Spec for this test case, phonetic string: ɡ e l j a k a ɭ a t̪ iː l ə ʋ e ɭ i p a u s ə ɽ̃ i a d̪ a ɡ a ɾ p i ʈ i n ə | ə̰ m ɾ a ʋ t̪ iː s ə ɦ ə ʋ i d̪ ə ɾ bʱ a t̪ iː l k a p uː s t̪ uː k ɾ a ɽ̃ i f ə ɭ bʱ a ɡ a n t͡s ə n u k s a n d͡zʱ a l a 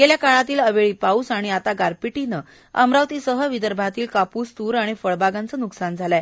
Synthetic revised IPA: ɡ e l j a k a ɭ a t̪ iː l ə ʋ e ɭ i p a u s a ɽ̃ i a t̪ a ɡ a ɾ p i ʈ i n ə | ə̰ m ɾ a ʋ t̪ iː s ə ɦ ə ʋ i d̪ ə ɾ bʱ a t̪ iː l k a p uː s t̪ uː ɾ a ɽ̃ i f ə ɭ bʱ a ɡ a n t͡s ə n u k s a n d͡zʱ a l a